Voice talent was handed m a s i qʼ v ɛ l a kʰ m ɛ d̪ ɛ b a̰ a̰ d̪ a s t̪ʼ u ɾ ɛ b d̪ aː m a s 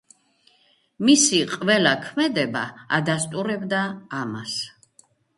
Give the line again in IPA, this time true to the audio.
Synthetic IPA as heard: m i s i qʼ v ɛ l a kʰ m ɛ d̪ ɛ b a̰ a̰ d̪ a s t̪ʼ u ɾ ɛ b d̪ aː m a s